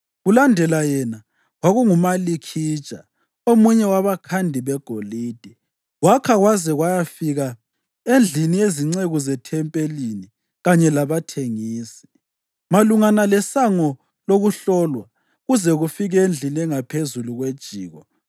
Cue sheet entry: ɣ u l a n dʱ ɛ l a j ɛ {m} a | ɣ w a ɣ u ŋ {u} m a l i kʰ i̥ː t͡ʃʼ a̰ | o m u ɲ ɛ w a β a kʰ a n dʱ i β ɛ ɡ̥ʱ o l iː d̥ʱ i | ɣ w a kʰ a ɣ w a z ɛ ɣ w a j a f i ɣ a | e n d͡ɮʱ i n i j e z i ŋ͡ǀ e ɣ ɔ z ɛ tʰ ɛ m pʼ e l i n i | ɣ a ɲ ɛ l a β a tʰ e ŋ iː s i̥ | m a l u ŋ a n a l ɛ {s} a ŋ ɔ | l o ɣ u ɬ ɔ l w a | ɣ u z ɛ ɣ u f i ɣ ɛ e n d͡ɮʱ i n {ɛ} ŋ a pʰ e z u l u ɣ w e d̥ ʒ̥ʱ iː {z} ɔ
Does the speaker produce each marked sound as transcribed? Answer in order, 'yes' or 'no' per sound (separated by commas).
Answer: no, yes, yes, yes, no